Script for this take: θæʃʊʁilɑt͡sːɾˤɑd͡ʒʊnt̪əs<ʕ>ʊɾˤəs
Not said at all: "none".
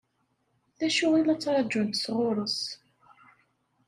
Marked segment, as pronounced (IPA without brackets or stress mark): ʁ